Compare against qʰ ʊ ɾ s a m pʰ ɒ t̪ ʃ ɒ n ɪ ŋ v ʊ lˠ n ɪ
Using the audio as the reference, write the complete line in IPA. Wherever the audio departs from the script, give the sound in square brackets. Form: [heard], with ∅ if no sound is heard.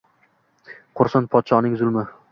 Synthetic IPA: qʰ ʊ ɾ s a [n] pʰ ɒ t̪ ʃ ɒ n ɪ ŋ [z] ʊ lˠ [m] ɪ